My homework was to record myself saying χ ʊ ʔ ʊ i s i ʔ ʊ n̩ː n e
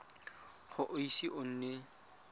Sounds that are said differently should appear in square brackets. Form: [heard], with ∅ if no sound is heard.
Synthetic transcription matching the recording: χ ʊ ʔ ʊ i s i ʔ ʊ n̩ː n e